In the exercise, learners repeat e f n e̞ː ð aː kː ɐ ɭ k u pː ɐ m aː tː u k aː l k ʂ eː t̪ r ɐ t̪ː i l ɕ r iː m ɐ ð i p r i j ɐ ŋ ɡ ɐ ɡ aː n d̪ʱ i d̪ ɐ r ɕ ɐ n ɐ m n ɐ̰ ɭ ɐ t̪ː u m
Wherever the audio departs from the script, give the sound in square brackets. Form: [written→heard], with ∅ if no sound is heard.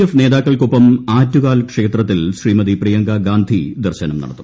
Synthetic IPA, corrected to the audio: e f n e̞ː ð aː kː ɐ ɭ k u pː ɐ m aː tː u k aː l k ʂ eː t̪ r ɐ t̪ː i l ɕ r iː m ɐ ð i p r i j ɐ ŋ ɡ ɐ ɡ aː n d̪ʱ i d̪ ɐ r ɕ ɐ n ɐ m n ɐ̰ [ɭ→ɽ] ɐ t̪ː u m